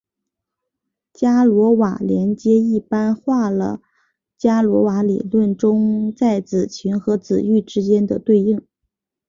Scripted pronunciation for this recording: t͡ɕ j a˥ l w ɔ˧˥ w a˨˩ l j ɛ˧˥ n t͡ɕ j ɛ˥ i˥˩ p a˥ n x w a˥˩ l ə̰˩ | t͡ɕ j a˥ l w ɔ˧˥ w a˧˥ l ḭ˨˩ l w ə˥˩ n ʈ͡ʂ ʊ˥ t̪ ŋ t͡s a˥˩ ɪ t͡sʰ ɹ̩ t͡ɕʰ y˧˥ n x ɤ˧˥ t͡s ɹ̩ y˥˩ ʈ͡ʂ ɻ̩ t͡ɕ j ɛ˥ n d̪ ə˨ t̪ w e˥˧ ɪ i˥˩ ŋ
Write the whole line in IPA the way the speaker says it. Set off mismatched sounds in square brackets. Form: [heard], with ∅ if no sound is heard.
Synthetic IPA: t͡ɕ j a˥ l w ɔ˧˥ w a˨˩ l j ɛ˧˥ n t͡ɕ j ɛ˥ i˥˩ p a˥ n x w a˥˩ l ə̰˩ | t͡ɕ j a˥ l w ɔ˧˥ w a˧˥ l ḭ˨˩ l w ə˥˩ n ʈ͡ʂ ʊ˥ [∅] ŋ t͡s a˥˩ ɪ [t͡s] ɹ̩ t͡ɕʰ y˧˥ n x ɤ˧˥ t͡s ɹ̩ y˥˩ ʈ͡ʂ ɻ̩ t͡ɕ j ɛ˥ n d̪ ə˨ t̪ w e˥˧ ɪ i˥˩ ŋ